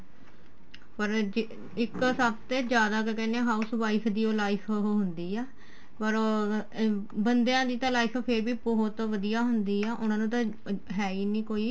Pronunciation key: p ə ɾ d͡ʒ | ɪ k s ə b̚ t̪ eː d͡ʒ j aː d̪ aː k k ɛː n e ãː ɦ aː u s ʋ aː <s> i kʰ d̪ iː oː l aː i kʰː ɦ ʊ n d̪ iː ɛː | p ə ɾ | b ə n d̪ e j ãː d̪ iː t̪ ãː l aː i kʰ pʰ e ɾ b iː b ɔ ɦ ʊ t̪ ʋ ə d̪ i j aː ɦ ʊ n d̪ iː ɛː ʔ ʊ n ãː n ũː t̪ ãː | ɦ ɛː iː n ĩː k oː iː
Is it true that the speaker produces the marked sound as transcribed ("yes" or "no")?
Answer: no